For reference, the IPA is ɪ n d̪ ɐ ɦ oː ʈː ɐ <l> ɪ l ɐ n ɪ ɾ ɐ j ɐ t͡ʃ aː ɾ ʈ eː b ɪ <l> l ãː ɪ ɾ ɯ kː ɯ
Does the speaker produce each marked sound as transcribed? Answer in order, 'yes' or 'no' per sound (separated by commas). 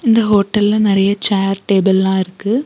yes, yes